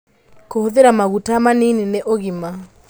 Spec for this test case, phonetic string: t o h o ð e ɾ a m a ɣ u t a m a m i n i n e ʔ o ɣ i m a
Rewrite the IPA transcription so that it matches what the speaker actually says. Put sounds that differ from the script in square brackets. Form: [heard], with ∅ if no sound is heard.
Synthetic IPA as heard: [k] o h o ð e ɾ a m a ɣ u t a m a [n] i n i n e ʔ o ɣ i m a